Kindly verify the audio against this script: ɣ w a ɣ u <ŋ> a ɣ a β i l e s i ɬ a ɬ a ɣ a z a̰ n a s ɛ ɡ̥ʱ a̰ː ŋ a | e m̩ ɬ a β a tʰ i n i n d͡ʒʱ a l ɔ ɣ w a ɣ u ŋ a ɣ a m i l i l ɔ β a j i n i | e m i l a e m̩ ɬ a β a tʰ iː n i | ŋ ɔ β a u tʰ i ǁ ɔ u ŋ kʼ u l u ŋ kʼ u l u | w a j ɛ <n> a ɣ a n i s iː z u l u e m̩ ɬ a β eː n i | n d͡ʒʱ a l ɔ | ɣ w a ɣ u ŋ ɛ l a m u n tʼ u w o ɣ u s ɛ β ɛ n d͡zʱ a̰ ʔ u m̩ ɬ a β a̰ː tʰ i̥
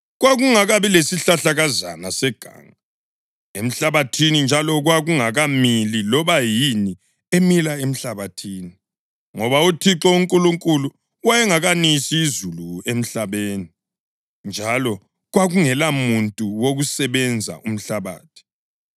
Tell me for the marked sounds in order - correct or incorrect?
correct, incorrect

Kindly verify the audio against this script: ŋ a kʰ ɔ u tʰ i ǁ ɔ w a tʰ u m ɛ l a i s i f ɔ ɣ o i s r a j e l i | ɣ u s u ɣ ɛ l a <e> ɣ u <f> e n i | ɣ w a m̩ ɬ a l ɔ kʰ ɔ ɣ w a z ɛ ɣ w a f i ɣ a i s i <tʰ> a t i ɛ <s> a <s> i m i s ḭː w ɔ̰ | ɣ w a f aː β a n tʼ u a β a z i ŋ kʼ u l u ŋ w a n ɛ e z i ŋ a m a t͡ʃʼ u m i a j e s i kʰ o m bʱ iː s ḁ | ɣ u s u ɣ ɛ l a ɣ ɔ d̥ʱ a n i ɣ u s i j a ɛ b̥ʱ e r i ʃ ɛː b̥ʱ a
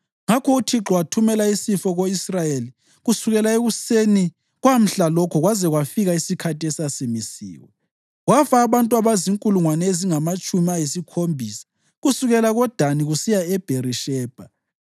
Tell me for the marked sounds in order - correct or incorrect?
correct, incorrect, incorrect, correct, correct

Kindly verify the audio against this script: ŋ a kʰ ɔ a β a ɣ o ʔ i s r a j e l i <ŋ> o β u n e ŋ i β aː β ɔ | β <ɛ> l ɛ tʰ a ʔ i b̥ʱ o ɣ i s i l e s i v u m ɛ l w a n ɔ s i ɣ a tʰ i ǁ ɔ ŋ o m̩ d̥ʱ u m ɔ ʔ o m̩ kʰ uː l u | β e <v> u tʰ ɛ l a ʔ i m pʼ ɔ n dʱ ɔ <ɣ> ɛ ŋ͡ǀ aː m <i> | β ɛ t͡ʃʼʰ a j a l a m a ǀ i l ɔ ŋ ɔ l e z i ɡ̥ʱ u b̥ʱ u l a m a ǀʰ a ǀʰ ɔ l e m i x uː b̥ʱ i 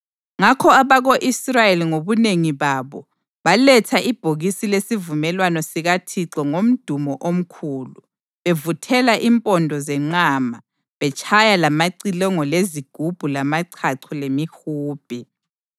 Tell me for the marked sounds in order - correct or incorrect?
correct, incorrect, correct, incorrect, incorrect

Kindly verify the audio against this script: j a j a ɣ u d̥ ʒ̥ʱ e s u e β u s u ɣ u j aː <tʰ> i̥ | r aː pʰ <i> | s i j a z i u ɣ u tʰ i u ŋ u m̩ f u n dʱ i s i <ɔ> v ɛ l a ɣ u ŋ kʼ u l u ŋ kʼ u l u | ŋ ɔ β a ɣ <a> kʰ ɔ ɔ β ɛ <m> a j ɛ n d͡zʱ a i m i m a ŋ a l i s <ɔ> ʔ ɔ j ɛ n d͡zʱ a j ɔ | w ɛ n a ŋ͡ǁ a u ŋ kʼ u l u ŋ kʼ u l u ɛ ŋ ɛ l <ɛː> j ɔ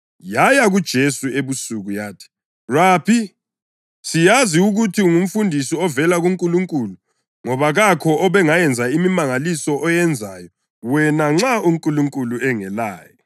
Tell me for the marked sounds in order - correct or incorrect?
correct, correct, correct, correct, incorrect, correct, incorrect

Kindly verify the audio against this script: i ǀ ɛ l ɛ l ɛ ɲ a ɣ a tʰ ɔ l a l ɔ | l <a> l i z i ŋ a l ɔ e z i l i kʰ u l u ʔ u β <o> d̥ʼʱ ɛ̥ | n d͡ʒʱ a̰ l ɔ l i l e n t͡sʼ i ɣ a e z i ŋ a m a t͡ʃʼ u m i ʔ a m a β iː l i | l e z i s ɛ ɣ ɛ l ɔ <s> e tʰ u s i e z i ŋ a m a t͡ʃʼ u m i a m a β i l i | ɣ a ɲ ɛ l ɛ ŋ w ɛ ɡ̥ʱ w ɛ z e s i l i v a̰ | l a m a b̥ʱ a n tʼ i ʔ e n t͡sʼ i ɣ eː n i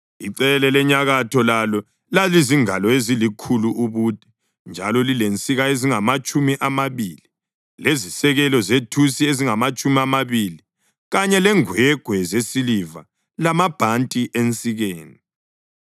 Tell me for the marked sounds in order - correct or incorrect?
correct, incorrect, incorrect

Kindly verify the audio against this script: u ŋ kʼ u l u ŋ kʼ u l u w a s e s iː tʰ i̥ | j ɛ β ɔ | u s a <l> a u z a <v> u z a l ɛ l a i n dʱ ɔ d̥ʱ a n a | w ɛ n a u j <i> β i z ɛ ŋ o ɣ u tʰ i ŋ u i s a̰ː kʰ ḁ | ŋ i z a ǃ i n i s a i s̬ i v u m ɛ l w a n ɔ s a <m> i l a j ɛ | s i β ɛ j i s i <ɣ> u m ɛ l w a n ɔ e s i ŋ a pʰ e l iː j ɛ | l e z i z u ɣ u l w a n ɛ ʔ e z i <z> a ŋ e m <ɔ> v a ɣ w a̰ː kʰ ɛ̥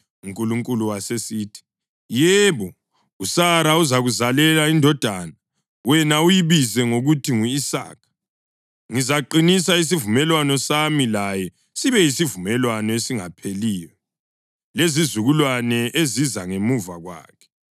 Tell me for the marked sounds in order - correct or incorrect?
incorrect, incorrect, correct, correct, incorrect, correct, incorrect

